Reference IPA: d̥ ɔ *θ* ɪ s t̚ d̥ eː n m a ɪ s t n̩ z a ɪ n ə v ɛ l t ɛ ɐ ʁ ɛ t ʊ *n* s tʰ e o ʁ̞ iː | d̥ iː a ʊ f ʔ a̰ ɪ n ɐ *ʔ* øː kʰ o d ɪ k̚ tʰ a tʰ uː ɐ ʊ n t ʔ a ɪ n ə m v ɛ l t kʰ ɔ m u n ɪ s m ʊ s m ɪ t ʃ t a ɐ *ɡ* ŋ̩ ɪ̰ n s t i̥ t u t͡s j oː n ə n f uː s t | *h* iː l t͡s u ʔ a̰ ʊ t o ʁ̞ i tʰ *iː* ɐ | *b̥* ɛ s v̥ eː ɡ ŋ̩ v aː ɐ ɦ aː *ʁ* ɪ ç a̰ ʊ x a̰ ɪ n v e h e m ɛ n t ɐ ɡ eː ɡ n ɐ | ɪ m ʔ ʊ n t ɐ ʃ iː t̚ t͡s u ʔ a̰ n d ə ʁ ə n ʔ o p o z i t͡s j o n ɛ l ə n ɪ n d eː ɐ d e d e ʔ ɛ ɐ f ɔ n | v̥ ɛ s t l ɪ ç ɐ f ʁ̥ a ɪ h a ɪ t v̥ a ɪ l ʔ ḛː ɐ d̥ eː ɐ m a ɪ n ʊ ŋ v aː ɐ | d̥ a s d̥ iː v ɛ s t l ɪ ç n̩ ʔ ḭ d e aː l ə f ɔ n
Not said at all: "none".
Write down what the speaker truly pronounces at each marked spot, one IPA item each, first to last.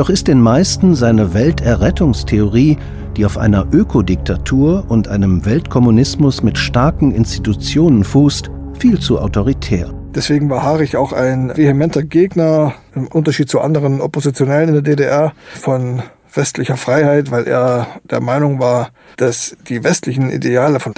χ, ŋ, ʔ, k, f, ɛː, d̥, ʁ

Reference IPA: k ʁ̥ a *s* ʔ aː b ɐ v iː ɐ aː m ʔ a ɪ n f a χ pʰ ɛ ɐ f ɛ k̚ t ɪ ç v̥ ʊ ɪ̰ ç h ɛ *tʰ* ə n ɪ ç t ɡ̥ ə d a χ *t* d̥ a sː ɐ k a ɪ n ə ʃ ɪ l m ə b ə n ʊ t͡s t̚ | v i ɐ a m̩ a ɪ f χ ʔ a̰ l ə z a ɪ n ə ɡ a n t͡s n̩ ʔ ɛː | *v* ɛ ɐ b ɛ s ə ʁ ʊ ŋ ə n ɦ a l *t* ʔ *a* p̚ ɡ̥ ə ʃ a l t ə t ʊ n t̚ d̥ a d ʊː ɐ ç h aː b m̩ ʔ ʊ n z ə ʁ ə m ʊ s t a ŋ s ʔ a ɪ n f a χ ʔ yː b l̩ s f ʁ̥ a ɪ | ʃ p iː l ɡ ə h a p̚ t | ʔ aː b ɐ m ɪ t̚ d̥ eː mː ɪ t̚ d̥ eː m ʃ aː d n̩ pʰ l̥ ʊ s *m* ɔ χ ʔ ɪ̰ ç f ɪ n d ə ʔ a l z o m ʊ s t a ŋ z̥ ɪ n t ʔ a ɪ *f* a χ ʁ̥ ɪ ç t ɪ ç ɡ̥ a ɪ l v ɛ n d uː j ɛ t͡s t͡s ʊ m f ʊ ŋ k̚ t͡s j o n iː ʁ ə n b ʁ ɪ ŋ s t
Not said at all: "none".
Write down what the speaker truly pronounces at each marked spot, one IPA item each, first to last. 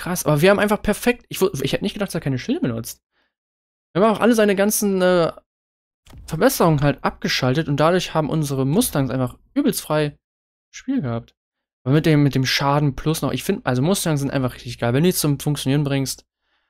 s, t, t, f, t, a, n, f

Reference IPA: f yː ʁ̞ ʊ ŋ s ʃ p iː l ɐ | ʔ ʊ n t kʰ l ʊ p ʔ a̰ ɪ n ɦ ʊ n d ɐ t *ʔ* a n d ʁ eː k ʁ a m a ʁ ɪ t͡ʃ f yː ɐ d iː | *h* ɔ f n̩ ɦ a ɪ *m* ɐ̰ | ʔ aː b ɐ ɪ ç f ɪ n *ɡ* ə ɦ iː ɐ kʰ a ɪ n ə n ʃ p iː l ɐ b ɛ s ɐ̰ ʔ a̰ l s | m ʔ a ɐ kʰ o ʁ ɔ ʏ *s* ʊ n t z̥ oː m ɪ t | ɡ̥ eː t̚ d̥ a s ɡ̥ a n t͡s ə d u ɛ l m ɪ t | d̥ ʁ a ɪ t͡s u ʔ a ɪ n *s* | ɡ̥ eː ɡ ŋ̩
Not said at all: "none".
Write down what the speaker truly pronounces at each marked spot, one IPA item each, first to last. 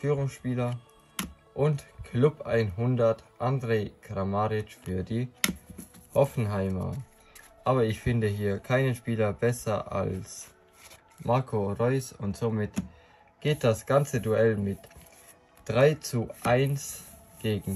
ʔ, h, m, d, s, s

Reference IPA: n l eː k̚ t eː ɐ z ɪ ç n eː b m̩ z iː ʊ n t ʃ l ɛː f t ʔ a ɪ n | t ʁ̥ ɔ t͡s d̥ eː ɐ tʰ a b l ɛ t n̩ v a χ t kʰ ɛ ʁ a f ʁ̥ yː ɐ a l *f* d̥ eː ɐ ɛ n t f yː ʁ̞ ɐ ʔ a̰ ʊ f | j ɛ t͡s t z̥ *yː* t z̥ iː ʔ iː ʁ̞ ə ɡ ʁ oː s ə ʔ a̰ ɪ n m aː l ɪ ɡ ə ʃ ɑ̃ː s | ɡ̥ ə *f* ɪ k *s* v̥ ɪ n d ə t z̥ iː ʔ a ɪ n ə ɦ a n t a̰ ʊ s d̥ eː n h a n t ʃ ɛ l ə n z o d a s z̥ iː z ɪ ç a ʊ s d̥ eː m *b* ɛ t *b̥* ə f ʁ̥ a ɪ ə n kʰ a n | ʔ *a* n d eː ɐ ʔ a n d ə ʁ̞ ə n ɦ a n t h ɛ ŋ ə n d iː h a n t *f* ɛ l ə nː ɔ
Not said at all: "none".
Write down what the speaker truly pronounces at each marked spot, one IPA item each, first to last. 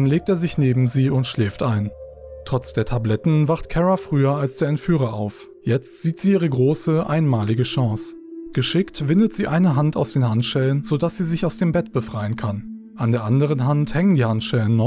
s, iː, ʃ, t, b, b̥, a, ʃ

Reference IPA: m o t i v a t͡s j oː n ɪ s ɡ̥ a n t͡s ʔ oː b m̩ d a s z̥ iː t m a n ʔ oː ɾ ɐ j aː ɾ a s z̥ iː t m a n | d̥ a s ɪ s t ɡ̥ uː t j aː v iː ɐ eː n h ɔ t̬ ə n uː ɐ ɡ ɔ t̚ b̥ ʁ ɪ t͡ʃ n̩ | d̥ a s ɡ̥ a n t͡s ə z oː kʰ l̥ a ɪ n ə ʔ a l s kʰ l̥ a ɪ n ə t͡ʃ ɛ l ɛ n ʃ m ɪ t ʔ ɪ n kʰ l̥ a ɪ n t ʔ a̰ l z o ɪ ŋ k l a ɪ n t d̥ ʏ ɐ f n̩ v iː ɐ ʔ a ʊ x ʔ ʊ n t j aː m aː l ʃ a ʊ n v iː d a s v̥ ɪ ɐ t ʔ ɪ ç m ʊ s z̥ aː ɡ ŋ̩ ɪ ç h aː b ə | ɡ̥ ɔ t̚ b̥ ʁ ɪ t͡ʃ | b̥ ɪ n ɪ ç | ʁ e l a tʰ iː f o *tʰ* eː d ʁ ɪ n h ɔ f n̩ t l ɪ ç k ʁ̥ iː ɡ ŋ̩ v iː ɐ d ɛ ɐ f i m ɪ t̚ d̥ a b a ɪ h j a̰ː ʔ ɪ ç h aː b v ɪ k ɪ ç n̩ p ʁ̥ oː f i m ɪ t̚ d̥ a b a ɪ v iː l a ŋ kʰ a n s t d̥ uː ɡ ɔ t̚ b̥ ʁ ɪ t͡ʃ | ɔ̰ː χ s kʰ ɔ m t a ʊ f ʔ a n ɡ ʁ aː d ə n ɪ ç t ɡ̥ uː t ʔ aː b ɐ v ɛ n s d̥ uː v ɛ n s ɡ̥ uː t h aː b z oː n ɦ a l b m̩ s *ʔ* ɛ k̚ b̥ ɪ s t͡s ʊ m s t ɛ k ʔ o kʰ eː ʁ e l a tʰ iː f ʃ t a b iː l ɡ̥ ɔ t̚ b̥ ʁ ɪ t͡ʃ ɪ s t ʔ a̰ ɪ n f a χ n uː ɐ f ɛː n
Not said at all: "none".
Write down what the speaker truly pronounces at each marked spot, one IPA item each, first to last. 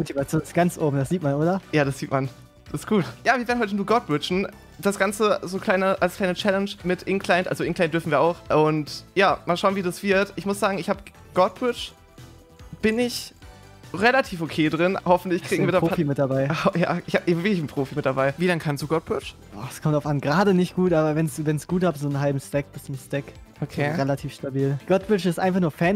kʰ, t

